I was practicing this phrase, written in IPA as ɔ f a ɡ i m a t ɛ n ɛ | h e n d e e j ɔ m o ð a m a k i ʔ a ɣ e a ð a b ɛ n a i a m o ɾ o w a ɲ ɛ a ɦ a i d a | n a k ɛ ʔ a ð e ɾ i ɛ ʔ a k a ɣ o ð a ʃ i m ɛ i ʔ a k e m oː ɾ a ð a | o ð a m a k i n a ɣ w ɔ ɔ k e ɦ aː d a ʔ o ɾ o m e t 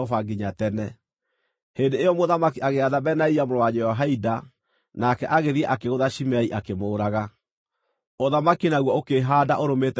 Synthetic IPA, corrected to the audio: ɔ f a ɡ i ɲ a t ɛ n ɛ | h e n d e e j ɔ m o ð a m a k i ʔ a ɣ e a ð a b ɛ n a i a m o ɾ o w a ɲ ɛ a ɦ a i d a | n a k ɛ ʔ a ɣ e ɾ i ɛ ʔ a k e ɣ o ð a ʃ i m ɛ i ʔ a k e m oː ɾ a ɣ a | o ð a m a k i n a ɣ w ɔ o k e ɦ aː d a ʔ o ɾ o m e t

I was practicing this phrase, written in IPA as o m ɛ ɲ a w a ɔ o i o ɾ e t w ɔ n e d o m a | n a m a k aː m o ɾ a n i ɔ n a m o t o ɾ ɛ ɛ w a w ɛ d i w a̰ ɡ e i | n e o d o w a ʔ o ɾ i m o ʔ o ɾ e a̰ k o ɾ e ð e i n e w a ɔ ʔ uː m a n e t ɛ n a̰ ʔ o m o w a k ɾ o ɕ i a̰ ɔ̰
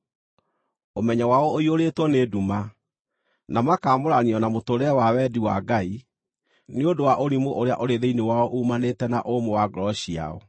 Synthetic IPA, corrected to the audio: o m ɛ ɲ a w a ɔ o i o ɾ e t w ɔ n e d u m a | n a m a k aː m o ɾ a n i ɔ n a m o t o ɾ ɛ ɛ w a w ɛ d i w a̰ ɡ a i | n e o d o w a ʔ o ɾ i m o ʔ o ɾ e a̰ ʔ o ɾ e ð e i n e w a ɔ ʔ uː m a n e t ɛ n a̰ ʔ o m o w a ɡ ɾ ɔ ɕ i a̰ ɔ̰

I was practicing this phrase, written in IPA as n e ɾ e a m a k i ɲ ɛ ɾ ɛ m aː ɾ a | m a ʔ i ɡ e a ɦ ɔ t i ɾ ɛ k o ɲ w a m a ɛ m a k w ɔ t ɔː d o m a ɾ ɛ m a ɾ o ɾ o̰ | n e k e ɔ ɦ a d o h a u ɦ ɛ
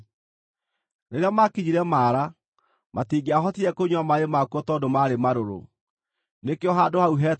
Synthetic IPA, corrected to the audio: n e ɾ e a m a k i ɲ i ɾ ɛ m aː ɾ a | m a t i ɡ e a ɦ ɔ t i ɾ ɛ k o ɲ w a m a e m a k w ɔ t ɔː d o m a ɾ e m a ɾ o ɾ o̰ | n e k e ɔ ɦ a d o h a u ɦ ɛ

